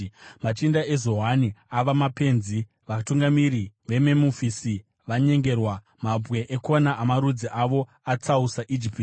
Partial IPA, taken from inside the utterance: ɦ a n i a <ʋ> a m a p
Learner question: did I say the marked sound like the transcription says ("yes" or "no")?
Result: yes